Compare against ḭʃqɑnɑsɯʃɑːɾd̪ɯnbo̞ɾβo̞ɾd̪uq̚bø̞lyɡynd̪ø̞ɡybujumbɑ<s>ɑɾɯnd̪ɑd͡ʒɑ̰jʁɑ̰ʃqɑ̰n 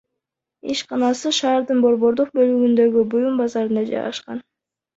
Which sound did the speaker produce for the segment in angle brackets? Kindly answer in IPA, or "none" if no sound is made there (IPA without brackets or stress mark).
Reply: z